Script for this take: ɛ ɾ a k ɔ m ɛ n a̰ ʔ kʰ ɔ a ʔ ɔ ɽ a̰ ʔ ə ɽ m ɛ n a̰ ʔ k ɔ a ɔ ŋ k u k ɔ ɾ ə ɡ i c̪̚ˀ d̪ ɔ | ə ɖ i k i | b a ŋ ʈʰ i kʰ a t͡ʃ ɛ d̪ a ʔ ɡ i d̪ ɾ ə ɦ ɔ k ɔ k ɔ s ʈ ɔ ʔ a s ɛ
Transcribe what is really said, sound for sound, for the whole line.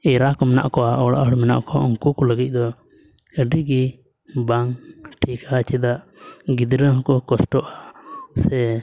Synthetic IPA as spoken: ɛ ɾ a k ɔ m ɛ n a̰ ʔ k ɔ a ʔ ɔ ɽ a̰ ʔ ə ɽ m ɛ n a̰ ʔ k ɔ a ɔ ŋ k u k ɔ l ə ɡ i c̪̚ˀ d̪ ɔ | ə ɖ i ɡ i | b a ŋ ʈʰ i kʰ a t͡ʃ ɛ d̪ a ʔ ɡ i d̪ ɾ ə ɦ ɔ k ɔ k ɔ s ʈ ɔ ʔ a s ɛ